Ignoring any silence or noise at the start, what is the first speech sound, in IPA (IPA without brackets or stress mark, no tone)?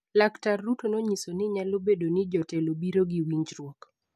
l